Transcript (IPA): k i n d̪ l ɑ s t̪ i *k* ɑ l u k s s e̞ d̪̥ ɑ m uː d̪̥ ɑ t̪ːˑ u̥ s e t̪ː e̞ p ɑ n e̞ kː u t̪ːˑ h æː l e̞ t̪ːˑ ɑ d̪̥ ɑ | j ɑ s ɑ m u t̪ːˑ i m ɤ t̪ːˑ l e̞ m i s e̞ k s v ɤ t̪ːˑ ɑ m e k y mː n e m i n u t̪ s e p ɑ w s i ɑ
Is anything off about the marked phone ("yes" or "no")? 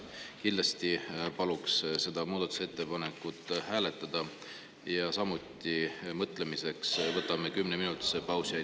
yes